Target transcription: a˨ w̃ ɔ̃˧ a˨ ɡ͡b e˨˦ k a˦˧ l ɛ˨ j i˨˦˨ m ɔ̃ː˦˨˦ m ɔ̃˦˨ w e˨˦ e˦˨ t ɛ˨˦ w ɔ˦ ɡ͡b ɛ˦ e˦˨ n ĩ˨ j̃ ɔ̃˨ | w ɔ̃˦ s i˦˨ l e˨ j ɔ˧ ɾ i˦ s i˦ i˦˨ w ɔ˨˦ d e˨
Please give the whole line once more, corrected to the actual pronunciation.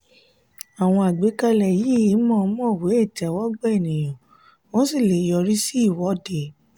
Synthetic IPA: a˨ w̃ ɔ̃˧ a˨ ɡ͡b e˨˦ k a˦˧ l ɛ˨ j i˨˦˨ m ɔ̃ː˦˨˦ m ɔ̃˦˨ w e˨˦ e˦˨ t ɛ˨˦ w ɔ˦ ɡ͡b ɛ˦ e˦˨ n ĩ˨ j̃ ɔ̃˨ | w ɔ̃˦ s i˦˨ l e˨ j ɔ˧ ɾ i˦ s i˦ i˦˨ w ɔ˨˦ d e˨